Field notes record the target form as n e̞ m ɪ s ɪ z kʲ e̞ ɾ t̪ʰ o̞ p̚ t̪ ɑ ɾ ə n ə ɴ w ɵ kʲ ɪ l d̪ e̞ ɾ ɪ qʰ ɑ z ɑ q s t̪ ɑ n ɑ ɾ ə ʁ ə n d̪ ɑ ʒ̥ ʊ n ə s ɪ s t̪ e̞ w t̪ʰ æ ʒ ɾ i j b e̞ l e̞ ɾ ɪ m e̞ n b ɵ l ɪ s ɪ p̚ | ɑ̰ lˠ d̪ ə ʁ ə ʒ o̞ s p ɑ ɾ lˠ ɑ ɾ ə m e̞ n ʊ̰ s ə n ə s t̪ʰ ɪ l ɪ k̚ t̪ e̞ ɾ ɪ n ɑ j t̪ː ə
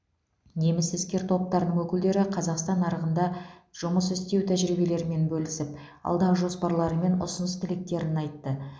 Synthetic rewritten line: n e̞ m ɪ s ɪ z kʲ e̞ ɾ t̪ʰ o̞ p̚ t̪ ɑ ɾ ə n ə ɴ w ɵ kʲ ɪ l d̪ e̞ ɾ ɪ qʰ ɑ z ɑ q s t̪ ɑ n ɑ ɾ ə ʁ ə n d̪ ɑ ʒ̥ ʊ m ə s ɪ s t̪ e̞ w t̪ʰ æ ʒ ɾ i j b e̞ l e̞ ɾ ɪ m e̞ n b ɵ l ɪ s ɪ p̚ | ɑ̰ lˠ d̪ ɑ ʁ ə ʒ o̞ s p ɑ ɾ lˠ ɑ ɾ ə m e̞ n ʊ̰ s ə n ə s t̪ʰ ɪ l ɪ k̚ t̪ e̞ ɾ ɪ n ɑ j t̪ː ə